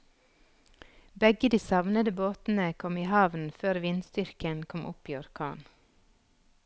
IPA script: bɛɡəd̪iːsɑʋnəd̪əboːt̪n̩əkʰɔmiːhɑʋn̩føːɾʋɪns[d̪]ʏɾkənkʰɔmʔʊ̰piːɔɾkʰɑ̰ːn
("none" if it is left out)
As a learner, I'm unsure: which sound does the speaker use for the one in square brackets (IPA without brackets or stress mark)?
t̪